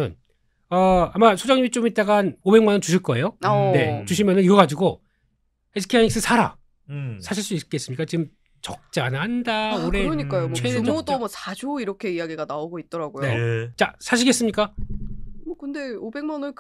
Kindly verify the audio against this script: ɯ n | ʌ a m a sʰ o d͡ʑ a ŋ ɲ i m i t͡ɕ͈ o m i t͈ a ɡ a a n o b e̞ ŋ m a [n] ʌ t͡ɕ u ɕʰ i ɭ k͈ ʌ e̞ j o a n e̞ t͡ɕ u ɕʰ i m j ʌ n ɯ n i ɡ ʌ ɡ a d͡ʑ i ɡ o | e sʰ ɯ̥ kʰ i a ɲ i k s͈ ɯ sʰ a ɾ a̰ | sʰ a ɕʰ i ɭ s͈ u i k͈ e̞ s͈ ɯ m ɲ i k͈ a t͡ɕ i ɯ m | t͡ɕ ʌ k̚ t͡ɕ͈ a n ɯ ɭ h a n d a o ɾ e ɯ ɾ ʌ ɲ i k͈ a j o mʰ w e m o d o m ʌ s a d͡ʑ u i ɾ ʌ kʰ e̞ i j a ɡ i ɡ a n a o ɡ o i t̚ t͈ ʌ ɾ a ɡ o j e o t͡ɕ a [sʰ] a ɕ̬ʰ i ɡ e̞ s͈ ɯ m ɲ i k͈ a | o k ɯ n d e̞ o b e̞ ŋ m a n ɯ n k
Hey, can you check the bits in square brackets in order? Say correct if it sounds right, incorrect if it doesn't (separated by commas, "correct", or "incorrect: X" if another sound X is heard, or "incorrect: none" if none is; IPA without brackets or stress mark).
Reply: correct, correct